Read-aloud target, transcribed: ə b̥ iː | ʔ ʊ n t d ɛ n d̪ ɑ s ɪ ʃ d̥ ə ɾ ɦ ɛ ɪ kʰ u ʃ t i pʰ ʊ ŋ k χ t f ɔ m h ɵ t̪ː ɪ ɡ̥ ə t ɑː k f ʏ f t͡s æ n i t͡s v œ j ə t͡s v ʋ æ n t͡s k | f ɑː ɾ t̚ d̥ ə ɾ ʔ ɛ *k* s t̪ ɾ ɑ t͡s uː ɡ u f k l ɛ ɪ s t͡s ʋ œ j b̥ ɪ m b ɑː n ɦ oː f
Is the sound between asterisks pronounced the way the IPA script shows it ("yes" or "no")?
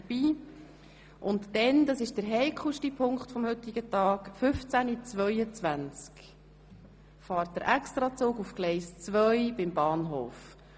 yes